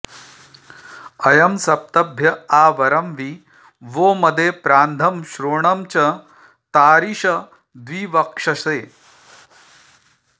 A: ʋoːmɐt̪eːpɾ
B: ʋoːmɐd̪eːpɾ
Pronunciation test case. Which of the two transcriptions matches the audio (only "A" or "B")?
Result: B